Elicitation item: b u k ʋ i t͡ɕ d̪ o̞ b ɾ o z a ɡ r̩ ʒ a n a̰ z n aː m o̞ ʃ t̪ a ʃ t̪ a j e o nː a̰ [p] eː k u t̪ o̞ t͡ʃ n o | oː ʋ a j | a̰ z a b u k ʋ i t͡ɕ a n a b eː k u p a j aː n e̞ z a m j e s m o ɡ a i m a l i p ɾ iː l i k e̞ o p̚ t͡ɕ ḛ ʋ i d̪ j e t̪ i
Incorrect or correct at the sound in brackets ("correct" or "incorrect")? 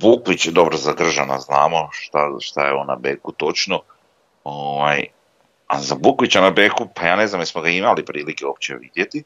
incorrect